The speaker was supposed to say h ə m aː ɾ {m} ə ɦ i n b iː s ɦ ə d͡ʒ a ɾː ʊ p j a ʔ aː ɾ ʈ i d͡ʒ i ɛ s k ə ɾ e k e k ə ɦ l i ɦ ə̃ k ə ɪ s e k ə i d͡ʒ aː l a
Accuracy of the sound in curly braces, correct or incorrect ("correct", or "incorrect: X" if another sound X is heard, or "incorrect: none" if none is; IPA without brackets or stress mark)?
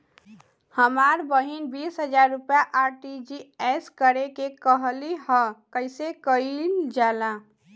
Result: incorrect: b